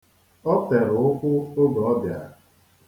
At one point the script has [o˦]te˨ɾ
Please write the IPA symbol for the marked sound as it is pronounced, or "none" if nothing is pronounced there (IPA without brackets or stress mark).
ɔ˦